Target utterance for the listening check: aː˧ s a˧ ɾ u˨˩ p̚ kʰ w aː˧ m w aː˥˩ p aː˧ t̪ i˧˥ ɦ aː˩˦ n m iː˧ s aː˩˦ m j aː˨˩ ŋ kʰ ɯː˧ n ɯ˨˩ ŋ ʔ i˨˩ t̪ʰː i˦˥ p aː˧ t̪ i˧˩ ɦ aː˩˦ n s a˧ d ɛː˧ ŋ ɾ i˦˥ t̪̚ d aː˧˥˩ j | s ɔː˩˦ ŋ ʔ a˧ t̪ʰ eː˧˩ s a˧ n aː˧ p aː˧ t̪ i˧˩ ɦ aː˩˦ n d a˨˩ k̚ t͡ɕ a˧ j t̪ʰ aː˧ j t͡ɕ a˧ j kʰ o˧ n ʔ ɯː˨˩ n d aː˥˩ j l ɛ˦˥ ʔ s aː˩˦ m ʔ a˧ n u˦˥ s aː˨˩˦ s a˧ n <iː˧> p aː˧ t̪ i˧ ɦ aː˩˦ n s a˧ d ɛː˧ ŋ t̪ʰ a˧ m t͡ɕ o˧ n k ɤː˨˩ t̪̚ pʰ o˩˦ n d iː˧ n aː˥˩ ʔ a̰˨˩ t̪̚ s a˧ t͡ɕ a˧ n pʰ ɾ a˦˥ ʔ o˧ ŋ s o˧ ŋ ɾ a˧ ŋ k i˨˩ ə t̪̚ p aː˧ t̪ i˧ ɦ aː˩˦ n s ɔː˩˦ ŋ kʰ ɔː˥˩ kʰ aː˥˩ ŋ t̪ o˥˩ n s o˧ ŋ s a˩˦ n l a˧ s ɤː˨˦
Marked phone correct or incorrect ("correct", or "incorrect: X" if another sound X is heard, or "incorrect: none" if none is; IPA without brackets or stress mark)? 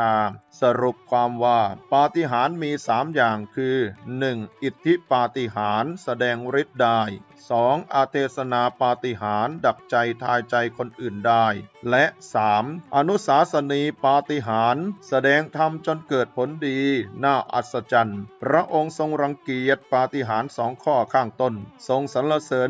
correct